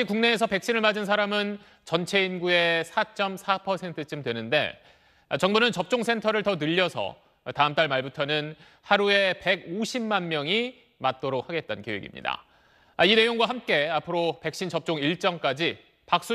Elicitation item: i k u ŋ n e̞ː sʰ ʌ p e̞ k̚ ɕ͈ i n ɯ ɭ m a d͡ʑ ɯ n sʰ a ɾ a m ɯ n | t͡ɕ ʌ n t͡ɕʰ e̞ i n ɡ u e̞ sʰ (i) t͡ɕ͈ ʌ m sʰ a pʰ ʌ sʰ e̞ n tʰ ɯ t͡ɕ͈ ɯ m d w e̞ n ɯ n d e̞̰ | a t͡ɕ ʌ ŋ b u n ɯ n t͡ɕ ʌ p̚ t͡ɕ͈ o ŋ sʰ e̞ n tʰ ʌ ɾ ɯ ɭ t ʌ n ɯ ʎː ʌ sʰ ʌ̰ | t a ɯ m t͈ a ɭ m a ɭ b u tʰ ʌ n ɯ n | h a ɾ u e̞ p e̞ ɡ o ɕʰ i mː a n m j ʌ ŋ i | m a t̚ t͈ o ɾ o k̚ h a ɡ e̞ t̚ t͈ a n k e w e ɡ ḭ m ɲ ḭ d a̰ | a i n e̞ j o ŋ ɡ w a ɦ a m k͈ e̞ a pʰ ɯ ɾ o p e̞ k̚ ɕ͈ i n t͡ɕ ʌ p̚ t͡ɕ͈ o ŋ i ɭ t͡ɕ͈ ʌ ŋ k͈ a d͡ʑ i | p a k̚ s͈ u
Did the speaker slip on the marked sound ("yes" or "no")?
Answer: yes